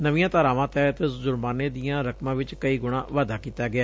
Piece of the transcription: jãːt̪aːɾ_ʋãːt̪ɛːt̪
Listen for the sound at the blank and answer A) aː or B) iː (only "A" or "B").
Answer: A